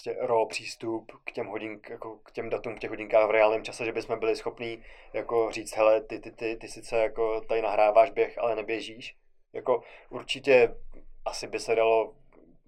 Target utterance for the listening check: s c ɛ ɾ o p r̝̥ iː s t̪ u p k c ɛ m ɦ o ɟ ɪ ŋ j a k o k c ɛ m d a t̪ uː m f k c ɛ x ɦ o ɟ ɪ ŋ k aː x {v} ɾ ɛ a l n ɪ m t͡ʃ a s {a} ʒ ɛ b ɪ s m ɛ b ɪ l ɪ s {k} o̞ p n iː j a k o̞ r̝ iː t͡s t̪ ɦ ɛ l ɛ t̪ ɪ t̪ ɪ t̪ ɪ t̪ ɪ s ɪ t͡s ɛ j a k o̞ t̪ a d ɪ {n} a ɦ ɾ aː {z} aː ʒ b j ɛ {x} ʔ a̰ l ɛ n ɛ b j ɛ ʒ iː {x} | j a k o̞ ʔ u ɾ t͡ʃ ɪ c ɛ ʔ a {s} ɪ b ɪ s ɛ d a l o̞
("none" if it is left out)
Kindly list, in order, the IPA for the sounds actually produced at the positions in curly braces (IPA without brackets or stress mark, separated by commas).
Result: v, ɛ, x, n, v, x, ʃ, s